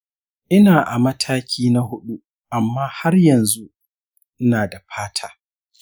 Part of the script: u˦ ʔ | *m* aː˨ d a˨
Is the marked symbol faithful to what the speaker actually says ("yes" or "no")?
no